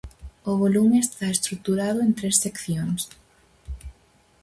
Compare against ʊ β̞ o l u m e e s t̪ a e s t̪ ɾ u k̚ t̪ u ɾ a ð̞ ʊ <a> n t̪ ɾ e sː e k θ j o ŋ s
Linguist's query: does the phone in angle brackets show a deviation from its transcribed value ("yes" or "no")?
yes